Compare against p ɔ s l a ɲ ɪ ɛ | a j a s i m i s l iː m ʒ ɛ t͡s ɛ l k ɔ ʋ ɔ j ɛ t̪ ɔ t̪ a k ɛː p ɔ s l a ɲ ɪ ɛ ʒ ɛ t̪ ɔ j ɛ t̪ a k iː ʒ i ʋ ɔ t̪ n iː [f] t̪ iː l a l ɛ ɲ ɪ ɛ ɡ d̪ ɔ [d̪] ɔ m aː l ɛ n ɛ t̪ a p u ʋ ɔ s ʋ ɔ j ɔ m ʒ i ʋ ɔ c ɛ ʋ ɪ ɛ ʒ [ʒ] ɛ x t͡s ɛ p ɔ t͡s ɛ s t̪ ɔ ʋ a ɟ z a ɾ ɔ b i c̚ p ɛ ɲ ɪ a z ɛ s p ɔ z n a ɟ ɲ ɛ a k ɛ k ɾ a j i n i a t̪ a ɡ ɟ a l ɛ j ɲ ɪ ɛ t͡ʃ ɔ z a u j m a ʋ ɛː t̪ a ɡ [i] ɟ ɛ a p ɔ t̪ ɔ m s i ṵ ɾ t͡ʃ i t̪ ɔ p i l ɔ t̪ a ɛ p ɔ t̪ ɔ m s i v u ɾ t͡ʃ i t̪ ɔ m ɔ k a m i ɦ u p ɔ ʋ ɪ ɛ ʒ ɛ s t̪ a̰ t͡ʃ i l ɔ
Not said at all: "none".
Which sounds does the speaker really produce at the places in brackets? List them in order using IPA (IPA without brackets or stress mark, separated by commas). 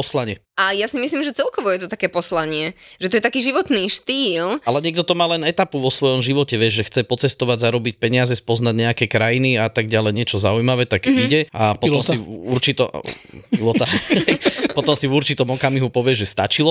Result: ʃ, t̪, ʒ, i